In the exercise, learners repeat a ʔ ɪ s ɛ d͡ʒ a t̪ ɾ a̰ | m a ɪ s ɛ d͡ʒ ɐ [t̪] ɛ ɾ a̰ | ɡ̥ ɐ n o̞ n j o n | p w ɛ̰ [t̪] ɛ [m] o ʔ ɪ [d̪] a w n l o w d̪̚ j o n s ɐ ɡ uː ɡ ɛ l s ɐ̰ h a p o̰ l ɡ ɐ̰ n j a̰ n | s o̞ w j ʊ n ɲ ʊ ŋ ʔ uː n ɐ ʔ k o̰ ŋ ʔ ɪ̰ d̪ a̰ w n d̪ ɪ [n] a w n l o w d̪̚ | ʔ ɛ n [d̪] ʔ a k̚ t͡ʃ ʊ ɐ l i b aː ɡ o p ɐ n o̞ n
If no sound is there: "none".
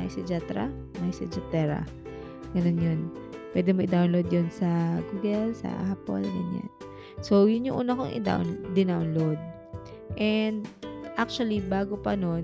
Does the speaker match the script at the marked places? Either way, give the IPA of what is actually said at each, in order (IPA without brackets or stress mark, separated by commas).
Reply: t̪, d̪, m, d̪, n, d̪